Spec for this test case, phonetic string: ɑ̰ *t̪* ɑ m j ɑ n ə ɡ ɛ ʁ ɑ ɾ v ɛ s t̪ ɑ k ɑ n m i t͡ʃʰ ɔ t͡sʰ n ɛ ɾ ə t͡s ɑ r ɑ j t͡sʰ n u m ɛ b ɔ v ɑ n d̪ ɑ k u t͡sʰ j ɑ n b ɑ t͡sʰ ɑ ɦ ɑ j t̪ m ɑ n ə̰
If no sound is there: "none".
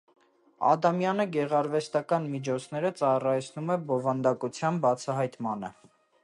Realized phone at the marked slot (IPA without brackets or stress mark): d̪